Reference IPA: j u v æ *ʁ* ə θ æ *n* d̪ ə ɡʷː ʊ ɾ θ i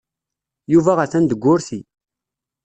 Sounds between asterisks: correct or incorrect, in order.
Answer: correct, correct

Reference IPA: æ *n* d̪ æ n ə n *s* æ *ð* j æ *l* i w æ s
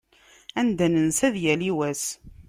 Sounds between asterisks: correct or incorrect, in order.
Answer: correct, correct, correct, correct

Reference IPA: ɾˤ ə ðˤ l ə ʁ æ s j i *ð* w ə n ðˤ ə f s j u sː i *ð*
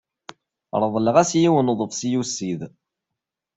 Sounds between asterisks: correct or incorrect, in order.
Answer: incorrect: none, correct

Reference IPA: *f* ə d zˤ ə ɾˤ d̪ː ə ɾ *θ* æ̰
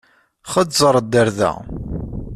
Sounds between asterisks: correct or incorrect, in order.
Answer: incorrect: χ, incorrect: ð

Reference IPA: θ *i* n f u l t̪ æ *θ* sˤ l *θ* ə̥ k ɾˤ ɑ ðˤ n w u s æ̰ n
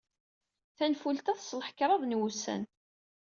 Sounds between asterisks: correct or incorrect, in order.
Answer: incorrect: æ, correct, incorrect: ħ

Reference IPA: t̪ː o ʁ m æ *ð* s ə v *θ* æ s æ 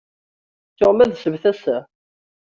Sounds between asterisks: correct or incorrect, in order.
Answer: correct, correct

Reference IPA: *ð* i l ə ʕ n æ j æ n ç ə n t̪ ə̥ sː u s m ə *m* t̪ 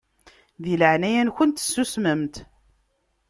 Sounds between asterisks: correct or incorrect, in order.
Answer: correct, correct

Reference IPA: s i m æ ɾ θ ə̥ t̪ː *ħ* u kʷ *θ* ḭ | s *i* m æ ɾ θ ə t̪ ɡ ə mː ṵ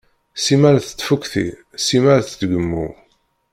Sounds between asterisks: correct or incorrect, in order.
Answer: incorrect: f, correct, correct

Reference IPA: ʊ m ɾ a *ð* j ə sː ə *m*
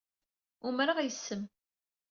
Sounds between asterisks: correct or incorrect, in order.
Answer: incorrect: ʁ, correct

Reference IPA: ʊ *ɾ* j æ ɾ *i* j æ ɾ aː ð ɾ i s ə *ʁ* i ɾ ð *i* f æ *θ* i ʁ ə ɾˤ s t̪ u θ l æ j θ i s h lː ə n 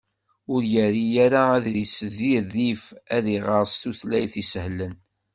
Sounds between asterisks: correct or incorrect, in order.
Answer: correct, correct, incorrect: ð, correct, incorrect: ð

